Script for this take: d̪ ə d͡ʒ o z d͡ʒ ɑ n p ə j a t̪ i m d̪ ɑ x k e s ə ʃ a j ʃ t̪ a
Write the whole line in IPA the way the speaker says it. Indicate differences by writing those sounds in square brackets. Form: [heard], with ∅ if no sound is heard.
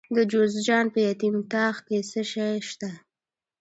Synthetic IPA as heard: d̪ ə d͡ʒ o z d͡ʒ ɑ n p ə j a t̪ i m [t̪] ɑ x k e s ə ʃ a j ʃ t̪ a